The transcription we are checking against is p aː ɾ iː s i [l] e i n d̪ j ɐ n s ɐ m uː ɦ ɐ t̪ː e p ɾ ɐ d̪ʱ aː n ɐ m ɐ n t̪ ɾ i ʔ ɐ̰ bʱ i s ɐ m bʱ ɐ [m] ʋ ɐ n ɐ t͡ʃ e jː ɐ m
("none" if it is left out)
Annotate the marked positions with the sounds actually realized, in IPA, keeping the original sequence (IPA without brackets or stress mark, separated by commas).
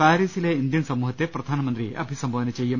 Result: l, none